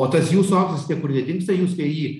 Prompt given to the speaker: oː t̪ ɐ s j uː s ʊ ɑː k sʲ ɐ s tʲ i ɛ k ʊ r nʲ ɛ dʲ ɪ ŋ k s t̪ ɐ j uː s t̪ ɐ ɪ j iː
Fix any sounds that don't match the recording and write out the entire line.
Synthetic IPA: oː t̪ ɐ s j uː s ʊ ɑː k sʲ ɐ s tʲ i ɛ k ʊ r nʲ ɛ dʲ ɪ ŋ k s t̪ ɐ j uː s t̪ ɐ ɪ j iː